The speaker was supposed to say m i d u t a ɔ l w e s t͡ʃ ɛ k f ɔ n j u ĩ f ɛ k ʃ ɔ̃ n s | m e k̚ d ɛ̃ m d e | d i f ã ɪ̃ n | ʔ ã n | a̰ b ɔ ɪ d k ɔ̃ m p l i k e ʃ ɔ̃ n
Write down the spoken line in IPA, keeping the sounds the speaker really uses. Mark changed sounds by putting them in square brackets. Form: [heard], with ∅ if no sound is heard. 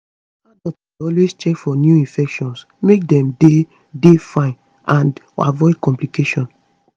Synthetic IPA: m [a] d [ɔ] t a ɔ l w e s t͡ʃ ɛ k f ɔ n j u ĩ f ɛ k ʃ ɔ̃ n s | m e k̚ d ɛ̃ m d e | d [e] f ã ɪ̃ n | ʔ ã n | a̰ [v] ɔ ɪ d k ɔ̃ m p l i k e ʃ ɔ̃ n